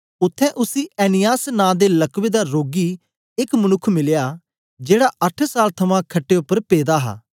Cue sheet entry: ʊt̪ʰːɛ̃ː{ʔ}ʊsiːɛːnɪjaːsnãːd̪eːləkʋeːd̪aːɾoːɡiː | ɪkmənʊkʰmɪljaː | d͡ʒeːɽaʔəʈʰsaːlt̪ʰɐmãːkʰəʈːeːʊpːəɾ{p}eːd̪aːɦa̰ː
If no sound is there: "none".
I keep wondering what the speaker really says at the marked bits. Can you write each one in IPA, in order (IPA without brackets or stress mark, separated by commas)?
ʔ, p